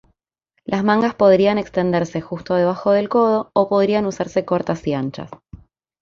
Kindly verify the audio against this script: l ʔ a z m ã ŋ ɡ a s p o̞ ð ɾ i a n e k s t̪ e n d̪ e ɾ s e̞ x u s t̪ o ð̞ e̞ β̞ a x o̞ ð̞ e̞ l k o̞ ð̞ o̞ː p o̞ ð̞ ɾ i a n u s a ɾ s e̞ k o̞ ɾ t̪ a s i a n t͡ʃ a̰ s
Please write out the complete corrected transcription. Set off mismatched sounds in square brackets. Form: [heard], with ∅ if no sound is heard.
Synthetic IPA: l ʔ a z m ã ŋ ɡ a s p o̞ ð ɾ i a n e k s t̪ e n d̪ e ɾ s e̞ x u s t̪ o ð̞ e̞ β̞ a x o̞ ð̞ e̞ l k o̞ ð̞ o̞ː p o̞ ð̞ ɾ i a n u s a ɾ s e̞ k o̞ ɾ t̪ a s i a n t͡ʃ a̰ s